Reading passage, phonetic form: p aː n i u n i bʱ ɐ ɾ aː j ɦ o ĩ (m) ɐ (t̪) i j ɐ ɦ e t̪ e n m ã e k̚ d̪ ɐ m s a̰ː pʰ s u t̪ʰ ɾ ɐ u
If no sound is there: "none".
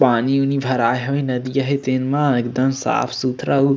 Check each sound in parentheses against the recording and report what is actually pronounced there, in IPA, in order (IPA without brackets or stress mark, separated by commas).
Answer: n, d̪